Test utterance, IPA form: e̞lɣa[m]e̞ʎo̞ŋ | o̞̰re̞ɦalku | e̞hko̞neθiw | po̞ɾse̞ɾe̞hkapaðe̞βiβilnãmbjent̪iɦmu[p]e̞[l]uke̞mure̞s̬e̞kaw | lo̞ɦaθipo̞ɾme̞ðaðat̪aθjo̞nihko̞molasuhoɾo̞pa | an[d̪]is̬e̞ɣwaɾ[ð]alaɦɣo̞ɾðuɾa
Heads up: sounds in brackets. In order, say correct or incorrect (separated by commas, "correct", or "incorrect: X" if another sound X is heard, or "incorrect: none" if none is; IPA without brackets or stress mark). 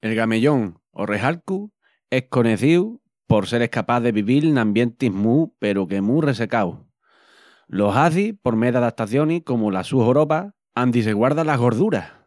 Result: correct, correct, incorrect: ɾ, correct, correct